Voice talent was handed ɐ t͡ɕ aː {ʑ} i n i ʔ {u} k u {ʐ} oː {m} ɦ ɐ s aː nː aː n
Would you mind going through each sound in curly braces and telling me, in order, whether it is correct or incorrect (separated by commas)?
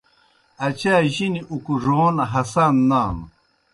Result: correct, correct, correct, incorrect